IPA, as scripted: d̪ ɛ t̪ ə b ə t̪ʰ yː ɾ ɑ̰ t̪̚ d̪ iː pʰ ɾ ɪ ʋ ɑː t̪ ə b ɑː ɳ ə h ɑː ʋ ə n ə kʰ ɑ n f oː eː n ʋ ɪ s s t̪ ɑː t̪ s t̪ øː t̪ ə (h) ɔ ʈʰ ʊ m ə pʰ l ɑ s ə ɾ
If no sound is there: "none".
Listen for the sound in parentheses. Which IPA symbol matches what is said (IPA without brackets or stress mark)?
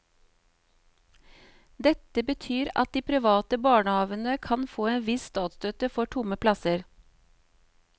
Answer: f